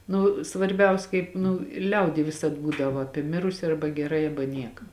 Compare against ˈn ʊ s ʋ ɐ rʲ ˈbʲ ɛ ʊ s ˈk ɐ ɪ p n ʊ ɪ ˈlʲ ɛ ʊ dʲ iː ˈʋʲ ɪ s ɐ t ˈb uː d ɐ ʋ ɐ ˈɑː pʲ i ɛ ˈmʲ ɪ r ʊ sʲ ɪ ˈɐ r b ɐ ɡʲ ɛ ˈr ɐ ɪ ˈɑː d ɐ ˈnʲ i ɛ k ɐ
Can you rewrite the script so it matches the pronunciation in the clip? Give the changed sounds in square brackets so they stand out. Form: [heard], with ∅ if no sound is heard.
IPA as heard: ˈn ʊ s ʋ ɐ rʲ ˈbʲ ɛ ʊ s ˈk ɐ ɪ p n ʊ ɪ ˈlʲ ɛ ʊ dʲ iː ˈʋʲ ɪ s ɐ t ˈb uː d ɐ ʋ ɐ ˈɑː pʲ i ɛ ˈmʲ ɪ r ʊ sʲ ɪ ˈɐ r b ɐ ɡʲ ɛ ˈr ɐ ɪ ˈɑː [b] ɐ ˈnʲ i ɛ k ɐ